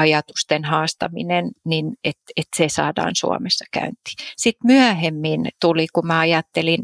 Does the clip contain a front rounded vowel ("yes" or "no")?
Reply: yes